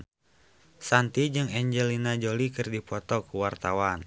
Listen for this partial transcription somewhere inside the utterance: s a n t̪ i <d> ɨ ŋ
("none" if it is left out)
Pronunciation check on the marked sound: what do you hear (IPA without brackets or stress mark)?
d͡ʒ